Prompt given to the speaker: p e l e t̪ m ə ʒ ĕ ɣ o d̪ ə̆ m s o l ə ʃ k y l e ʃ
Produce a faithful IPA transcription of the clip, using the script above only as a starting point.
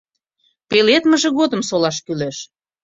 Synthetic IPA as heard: p e l e t̪ m ə ʒ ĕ ɣ o d̪ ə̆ m s o l ɑ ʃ k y l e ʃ